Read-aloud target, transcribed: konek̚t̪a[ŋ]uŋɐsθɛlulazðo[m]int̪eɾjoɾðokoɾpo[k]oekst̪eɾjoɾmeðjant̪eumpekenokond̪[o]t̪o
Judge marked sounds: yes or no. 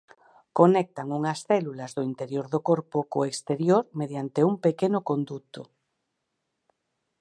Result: yes, no, yes, no

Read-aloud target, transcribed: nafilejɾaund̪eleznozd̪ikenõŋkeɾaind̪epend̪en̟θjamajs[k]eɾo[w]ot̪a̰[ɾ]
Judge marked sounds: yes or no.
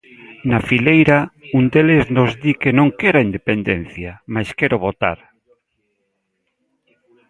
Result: yes, no, yes

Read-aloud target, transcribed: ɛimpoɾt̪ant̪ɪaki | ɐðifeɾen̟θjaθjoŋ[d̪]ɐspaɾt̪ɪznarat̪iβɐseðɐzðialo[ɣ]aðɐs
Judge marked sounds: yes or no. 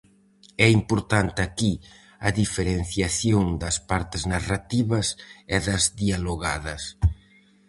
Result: yes, yes

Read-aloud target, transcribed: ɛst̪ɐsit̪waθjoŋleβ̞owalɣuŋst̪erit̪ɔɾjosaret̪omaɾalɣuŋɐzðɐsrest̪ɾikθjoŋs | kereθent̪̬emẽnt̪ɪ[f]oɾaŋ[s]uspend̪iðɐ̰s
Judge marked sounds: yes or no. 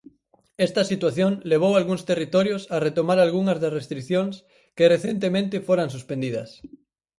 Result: yes, yes

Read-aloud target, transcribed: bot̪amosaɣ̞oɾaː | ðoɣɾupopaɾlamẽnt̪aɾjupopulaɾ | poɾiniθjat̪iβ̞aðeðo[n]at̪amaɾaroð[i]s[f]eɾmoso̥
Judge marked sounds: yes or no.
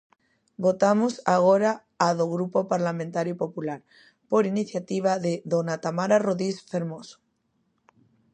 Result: yes, yes, yes

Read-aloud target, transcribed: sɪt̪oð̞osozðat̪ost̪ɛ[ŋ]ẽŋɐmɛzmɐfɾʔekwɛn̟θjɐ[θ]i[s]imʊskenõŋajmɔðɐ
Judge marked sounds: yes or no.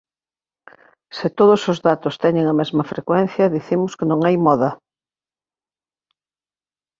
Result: no, no, no

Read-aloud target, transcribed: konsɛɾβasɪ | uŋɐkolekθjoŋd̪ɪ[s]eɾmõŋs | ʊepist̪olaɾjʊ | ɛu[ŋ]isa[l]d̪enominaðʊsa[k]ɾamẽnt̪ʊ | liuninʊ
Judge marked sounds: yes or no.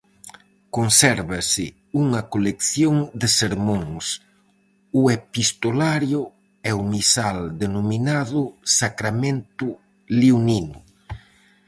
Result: yes, no, yes, yes

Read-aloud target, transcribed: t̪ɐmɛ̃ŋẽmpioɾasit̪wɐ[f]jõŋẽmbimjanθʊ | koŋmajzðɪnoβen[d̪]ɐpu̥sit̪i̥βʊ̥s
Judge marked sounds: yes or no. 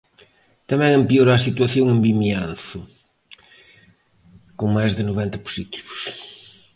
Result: no, no

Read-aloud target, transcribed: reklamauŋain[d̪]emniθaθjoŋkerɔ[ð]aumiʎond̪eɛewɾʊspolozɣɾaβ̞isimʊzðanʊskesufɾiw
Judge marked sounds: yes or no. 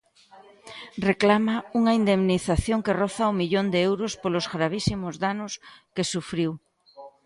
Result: yes, no

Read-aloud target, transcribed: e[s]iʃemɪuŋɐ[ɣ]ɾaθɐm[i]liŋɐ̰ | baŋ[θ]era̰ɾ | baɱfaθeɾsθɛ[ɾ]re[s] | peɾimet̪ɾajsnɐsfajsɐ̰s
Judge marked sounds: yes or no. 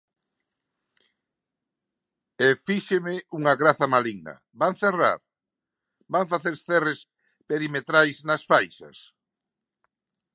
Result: no, yes, no, yes, no, yes

